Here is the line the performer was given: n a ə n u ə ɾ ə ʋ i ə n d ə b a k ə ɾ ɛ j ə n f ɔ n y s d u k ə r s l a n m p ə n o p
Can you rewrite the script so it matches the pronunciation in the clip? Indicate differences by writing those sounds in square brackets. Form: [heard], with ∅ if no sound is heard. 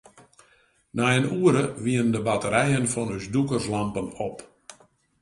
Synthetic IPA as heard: n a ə n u ə ɾ ə ʋ i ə n d ə b a [t] ə ɾ ɛ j ə n f ɔ n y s d u k ə r s l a [∅] m p ə n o p